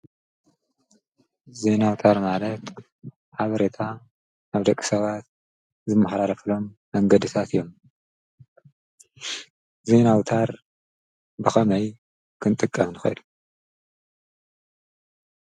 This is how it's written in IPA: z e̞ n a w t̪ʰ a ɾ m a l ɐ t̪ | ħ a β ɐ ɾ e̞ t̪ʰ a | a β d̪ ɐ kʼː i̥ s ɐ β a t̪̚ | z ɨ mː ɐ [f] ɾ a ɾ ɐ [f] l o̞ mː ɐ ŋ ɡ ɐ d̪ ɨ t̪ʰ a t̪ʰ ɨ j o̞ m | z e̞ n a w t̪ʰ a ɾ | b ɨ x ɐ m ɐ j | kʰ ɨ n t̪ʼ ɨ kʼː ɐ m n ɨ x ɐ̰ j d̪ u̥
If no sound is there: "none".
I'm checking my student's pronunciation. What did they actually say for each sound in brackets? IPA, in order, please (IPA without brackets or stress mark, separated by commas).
ħ, f